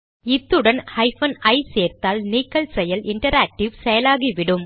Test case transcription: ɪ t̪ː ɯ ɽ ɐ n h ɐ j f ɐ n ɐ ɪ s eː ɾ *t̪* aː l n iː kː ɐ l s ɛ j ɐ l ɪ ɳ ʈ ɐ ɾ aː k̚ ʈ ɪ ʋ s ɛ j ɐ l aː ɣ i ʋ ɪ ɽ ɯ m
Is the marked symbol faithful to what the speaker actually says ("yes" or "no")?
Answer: yes